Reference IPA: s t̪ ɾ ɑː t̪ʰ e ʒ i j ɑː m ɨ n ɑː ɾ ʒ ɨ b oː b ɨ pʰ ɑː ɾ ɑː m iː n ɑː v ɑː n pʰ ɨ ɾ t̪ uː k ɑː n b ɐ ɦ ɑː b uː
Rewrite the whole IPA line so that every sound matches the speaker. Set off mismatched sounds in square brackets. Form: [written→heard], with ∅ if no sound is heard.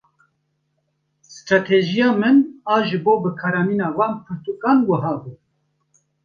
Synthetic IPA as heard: s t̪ ɾ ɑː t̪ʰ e ʒ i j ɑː m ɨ n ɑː [ɾ→∅] ʒ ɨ b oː b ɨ [pʰ→kʰ] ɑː ɾ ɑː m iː n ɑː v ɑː n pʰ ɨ ɾ t̪ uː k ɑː n [b→w] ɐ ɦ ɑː b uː